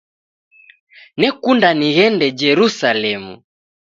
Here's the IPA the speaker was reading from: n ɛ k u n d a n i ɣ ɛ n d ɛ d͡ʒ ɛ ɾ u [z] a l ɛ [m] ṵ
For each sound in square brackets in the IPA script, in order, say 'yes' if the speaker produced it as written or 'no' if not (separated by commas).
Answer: no, yes